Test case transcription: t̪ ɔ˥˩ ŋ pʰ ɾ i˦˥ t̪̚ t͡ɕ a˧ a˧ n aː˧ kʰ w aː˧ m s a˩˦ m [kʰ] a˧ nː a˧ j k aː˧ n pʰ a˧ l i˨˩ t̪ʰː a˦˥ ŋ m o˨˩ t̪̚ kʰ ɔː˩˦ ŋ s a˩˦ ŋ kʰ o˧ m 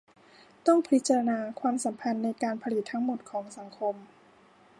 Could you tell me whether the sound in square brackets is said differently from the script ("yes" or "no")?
yes